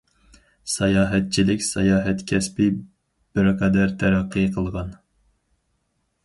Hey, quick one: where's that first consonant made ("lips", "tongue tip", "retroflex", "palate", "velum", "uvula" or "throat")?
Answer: tongue tip